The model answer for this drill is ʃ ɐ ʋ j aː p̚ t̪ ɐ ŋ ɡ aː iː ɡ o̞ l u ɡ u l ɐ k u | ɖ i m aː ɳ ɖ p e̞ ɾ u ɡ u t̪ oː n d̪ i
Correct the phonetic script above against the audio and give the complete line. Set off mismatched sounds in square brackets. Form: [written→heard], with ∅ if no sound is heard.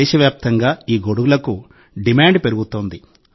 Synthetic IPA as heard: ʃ ɐ ʋ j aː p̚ t̪ ɐ ŋ ɡ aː iː ɡ o̞ [l→ɽ] u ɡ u l ɐ k u | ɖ i m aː ɳ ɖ p e̞ ɾ u ɡ u t̪ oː n d̪ i